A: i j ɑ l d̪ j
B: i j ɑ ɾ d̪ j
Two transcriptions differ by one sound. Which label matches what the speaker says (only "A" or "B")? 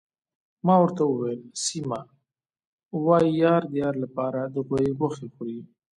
B